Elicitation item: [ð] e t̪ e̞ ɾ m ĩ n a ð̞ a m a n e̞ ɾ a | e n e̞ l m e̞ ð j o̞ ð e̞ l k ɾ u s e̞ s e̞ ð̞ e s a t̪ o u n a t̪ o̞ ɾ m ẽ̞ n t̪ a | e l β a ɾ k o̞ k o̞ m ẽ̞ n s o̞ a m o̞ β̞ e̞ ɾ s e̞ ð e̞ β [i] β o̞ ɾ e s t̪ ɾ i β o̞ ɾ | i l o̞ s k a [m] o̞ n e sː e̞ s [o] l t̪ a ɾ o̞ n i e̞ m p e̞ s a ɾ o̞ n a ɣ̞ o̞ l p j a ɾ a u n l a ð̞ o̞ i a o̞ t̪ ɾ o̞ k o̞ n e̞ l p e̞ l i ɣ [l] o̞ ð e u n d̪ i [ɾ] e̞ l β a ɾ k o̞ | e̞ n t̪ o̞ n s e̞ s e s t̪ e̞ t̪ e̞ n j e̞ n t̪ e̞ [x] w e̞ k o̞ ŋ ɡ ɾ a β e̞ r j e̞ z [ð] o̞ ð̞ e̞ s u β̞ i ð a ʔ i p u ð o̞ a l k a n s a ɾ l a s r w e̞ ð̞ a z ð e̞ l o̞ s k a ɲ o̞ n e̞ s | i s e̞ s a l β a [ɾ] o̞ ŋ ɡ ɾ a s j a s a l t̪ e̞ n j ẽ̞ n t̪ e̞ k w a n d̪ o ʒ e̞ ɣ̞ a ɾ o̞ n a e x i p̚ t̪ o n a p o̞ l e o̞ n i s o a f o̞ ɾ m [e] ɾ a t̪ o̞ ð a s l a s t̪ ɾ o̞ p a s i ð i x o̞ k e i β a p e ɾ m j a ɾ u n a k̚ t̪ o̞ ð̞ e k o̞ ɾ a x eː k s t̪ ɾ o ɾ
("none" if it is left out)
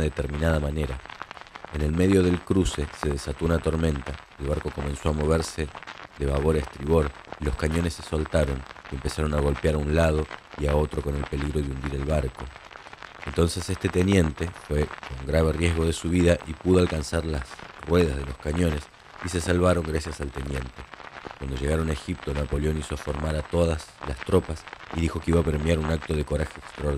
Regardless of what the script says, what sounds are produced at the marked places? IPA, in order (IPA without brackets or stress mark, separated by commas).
ð, a, ɲ, o, ɾ, ɾ, f, ɣ, ɾ, a